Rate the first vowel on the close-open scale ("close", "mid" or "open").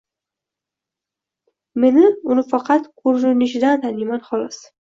mid